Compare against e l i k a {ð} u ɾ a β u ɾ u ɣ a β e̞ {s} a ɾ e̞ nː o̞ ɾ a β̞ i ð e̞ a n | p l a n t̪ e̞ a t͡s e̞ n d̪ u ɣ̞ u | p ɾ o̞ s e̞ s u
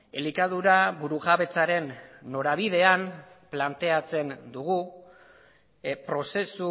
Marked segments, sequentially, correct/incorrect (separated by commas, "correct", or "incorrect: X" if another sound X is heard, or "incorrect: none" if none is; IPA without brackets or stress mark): correct, incorrect: t͡s